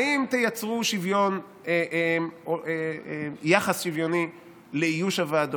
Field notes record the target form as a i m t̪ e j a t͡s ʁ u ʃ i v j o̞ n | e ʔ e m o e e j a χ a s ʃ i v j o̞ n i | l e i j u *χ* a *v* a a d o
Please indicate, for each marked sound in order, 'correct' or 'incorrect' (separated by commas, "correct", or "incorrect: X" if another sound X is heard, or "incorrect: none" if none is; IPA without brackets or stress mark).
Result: incorrect: ʃ, correct